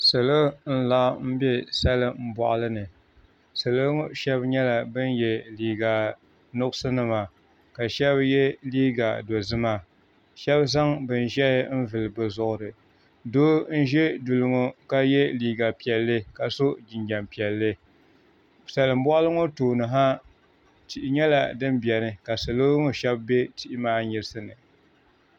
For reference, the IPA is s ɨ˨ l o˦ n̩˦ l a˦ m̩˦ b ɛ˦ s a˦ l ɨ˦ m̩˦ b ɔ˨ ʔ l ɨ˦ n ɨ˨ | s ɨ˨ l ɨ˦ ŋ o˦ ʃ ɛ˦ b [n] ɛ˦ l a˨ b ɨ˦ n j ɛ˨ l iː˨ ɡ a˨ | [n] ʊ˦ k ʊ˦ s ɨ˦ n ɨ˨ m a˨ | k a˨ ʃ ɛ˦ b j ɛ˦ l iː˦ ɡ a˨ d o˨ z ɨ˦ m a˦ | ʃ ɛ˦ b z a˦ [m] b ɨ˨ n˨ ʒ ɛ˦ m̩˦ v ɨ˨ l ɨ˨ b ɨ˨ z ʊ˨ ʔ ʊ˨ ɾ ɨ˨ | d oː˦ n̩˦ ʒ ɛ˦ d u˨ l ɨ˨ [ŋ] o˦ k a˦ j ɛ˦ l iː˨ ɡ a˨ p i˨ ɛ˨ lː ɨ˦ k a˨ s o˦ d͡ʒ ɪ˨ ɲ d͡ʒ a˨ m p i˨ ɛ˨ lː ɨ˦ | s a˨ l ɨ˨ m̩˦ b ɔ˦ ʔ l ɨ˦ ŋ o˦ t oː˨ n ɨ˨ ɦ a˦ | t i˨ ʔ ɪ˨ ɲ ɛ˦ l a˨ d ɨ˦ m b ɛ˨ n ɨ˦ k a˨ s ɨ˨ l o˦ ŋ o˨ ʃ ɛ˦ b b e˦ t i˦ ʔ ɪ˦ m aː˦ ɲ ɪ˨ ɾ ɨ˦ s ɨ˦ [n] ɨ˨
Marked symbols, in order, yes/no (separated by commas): no, yes, no, yes, yes